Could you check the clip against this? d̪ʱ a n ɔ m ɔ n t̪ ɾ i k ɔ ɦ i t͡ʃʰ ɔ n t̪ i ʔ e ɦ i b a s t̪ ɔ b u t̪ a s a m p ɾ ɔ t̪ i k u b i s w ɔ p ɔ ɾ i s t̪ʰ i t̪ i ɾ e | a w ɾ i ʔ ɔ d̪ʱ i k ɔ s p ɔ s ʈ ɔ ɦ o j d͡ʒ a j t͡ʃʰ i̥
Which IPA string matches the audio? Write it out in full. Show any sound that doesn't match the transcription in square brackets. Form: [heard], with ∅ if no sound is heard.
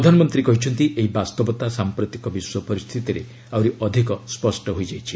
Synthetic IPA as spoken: d̪ʱ a n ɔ m ɔ n t̪ ɾ i k ɔ ɦ i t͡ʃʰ ɔ n t̪ i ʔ e ɦ i b a s t̪ ɔ b [ɔ] t̪ a s a m p ɾ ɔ t̪ i k [ɔ] b i s w ɔ p ɔ ɾ i s t̪ʰ i t̪ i ɾ e | a w ɾ i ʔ ɔ d̪ʱ i k ɔ s p ɔ s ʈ ɔ ɦ o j d͡ʒ a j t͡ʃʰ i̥

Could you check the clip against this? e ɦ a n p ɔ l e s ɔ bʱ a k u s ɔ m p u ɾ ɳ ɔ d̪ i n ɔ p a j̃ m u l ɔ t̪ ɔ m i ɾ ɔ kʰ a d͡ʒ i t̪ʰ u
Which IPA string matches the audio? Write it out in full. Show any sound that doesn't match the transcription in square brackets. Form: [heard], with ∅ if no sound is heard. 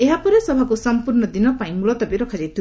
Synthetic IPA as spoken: e ɦ a [∅] p ɔ [ɾ] e s ɔ bʱ a k u s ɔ m p u ɾ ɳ ɔ d̪ i n ɔ p a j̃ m u l ɔ t̪ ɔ [b] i ɾ ɔ kʰ a d͡ʒ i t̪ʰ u

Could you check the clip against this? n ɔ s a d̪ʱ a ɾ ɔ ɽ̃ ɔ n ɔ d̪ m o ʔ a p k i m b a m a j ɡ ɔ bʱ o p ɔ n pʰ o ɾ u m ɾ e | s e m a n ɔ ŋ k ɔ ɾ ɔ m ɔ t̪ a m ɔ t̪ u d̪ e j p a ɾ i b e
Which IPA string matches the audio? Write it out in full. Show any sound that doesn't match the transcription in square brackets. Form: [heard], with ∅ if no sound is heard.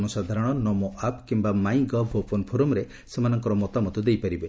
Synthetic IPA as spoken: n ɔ s a d̪ʱ a ɾ ɔ ɽ̃ ɔ n ɔ [∅] m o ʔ a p k i m b a m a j ɡ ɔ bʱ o p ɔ n pʰ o ɾ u m ɾ e | s e m a n ɔ ŋ k ɔ ɾ ɔ m ɔ t̪ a m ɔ t̪ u d̪ e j p a ɾ i b e

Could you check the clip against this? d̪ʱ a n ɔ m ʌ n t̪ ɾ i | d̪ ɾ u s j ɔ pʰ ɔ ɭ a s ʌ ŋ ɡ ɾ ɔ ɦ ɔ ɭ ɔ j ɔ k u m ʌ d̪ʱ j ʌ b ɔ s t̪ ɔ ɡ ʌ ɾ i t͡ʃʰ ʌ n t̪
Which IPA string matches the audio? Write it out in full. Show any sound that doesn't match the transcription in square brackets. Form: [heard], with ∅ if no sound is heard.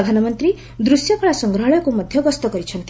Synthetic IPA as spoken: d̪ʱ a n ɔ m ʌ n t̪ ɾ i | d̪ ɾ u s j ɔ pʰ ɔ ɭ a s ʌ ŋ ɡ ɾ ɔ ɦ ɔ ɭ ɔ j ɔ k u m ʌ d̪ʱ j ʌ [ɡ] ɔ s t̪ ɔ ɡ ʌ ɾ i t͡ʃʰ ʌ n t̪

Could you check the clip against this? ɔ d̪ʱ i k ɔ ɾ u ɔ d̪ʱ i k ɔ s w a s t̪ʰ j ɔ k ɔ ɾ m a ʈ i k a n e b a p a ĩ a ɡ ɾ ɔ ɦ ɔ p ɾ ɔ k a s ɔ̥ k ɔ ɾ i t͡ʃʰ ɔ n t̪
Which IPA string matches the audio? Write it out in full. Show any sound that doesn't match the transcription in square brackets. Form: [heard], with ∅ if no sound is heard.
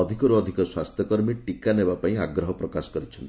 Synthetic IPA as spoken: ɔ d̪ʱ i k ɔ ɾ u ɔ d̪ʱ i k ɔ s w a s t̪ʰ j ɔ k ɔ ɾ m [i] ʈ i k a n e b a p a ĩ a ɡ ɾ ɔ ɦ ɔ p ɾ ɔ k a s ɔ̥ k ɔ ɾ i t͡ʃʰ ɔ n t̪

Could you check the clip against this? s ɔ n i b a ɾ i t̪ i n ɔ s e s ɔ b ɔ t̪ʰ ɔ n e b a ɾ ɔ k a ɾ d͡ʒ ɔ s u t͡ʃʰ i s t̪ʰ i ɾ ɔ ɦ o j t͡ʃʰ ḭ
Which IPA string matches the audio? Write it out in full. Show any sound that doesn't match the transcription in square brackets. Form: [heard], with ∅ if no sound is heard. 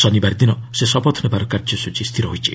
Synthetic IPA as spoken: s ɔ n i b a ɾ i [d̪] i n ɔ s e s ɔ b ɔ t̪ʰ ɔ n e b a ɾ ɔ k a ɾ d͡ʒ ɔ s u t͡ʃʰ i s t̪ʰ i ɾ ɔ ɦ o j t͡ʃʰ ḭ

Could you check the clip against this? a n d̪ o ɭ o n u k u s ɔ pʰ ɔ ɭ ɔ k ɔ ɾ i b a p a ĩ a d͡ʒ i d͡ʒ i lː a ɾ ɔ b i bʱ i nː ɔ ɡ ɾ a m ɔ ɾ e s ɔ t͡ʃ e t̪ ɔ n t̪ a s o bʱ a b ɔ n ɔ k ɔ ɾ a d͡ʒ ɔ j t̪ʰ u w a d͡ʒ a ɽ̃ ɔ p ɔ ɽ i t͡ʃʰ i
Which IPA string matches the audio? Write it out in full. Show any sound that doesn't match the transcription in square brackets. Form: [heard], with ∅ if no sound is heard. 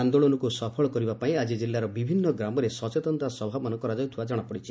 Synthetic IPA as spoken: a n d̪ o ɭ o n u k u s ɔ pʰ ɔ ɭ ɔ k ɔ ɾ i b a p a ĩ a d͡ʒ i d͡ʒ i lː a ɾ ɔ b i bʱ i nː ɔ ɡ ɾ a m ɔ ɾ e s ɔ t͡ʃ e t̪ ɔ n t̪ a s [ɔ] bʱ a b ɔ n ɔ k ɔ ɾ a d͡ʒ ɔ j t̪ʰ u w a d͡ʒ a ɽ̃ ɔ p ɔ ɽ i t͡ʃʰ i

